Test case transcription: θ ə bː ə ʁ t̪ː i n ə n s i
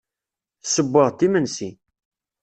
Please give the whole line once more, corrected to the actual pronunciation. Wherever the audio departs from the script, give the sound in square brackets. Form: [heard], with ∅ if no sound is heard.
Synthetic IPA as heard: [s] ə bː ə ʁ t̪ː i [m] ə n s i